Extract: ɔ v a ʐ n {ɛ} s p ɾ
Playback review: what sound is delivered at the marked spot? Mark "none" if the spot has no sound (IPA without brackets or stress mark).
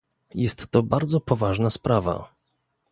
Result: a